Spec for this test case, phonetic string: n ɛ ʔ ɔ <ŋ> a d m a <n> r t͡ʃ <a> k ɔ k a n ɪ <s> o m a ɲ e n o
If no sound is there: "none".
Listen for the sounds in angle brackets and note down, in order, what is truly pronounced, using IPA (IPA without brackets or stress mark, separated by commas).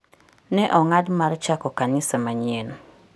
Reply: ŋ, none, a, s